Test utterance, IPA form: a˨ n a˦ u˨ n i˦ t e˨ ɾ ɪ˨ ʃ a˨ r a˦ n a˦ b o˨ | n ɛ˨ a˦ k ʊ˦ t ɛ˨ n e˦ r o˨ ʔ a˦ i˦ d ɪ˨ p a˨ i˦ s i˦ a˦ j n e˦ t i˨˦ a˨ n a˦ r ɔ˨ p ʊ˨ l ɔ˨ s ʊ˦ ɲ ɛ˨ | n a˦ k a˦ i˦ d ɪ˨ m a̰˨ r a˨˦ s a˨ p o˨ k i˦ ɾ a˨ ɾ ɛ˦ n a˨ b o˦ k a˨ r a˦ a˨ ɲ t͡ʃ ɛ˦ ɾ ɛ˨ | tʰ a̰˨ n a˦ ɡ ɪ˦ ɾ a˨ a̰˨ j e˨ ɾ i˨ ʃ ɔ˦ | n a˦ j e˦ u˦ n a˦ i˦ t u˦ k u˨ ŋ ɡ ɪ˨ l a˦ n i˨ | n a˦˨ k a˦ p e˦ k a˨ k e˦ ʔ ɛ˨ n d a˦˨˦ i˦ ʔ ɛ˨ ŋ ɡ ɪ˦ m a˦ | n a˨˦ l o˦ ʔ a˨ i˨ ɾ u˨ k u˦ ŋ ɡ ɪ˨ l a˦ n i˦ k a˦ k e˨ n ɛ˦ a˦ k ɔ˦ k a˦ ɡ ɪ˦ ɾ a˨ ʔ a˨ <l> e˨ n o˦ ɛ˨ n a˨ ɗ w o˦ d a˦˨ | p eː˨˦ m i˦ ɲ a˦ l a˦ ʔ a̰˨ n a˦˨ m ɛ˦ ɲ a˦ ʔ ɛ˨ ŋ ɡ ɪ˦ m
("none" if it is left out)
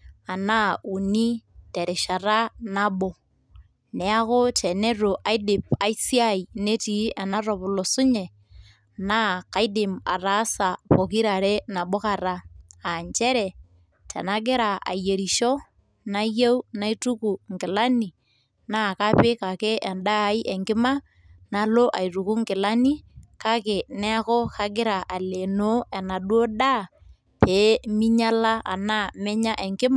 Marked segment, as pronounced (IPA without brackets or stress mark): l